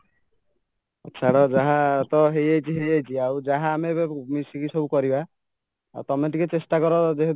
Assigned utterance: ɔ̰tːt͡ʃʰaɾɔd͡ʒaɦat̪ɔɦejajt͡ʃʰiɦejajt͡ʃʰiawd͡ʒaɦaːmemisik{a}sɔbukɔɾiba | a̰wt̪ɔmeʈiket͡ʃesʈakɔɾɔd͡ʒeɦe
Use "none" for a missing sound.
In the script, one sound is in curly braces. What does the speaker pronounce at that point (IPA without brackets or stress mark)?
i